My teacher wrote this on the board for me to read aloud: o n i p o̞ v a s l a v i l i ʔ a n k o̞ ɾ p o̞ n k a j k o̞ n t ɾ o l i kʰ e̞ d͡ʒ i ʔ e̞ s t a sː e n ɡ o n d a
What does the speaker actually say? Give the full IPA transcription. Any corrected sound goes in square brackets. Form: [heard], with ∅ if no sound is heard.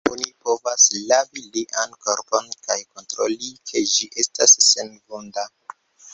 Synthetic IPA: o n i p o̞ v a s l a v i l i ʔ a n k o̞ ɾ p o̞ n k a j k o̞ n t ɾ o l i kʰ e̞ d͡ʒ i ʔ e̞ s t a sː e n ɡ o n d a

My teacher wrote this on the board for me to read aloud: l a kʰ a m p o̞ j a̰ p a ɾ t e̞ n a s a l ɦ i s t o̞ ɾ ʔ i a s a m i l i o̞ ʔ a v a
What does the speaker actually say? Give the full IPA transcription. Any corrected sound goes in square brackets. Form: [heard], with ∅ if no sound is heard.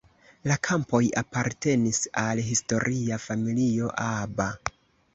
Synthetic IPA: l a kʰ a m p o̞ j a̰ p a ɾ t e̞ n [i] s a l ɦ i s t o̞ ɾ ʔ i a [f] a m i l i o̞ ʔ a [b] a

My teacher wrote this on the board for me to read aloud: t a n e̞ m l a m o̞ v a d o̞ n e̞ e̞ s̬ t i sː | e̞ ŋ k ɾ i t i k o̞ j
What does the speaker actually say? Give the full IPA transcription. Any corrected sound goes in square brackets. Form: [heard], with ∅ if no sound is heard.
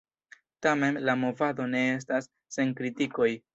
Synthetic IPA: t a [m] e̞ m l a m o̞ v a d o̞ n e̞ e̞ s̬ t [a] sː | e̞ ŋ k ɾ i t i k o̞ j

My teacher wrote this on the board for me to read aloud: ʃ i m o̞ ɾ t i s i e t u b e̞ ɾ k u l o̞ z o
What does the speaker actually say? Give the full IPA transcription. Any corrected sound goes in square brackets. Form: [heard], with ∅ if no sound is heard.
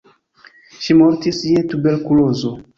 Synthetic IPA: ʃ i m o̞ ɾ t i s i e t u b e̞ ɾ k u l o̞ z o

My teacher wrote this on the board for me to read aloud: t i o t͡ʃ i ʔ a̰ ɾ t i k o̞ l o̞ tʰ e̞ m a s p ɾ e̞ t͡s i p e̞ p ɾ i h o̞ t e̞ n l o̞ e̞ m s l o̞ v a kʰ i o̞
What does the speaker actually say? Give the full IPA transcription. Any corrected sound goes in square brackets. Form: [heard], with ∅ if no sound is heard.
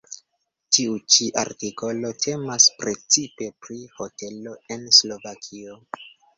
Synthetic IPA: t i [u] t͡ʃ i ʔ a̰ ɾ t i k o̞ l o̞ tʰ e̞ m a s p ɾ e̞ t͡s i p e̞ p ɾ i h o̞ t e̞ [∅] l o̞ e̞ [n] s l o̞ v a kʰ i o̞

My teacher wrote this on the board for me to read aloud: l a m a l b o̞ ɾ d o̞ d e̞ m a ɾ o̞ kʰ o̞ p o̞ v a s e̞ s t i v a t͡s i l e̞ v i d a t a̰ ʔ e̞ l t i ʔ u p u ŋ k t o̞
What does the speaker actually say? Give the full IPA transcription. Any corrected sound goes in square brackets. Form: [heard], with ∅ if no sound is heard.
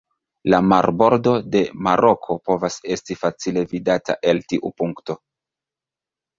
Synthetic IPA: l a m a [ɾ] b o̞ ɾ d o̞ d e̞ m a ɾ o̞ kʰ o̞ p o̞ v a s e̞ s t i [f] a t͡s i l e̞ v i d a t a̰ ʔ e̞ l t i ʔ u p u ŋ k t o̞

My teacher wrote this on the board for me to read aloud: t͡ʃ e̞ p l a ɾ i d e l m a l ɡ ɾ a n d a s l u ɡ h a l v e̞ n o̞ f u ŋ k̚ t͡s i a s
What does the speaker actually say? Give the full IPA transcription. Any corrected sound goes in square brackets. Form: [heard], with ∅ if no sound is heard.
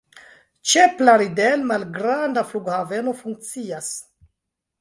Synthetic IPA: t͡ʃ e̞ p l a ɾ i d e l m a l ɡ ɾ a n d a [f] l u ɡ h a [∅] v e̞ n o̞ f u ŋ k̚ t͡s i a s

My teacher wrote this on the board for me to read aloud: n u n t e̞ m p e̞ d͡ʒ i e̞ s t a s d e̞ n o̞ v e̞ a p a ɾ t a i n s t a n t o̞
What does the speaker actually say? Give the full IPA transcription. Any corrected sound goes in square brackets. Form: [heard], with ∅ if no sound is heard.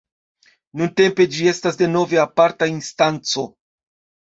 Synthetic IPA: n u n t e̞ m p e̞ d͡ʒ i e̞ s t a s d e̞ n o̞ v e̞ a p a ɾ t a i n s t a n [t͡s] o̞

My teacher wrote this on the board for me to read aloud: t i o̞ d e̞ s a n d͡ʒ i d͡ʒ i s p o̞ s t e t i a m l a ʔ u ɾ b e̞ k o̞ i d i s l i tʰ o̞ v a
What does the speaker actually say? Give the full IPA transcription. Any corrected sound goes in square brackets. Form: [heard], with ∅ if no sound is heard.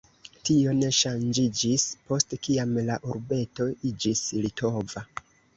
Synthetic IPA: t i o̞ [n] e̞ [ʃ] a n d͡ʒ i d͡ʒ i s p o̞ s t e [k] i a m l a ʔ u ɾ b e̞ [t] o̞ i [d͡ʒ] i s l i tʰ o̞ v a

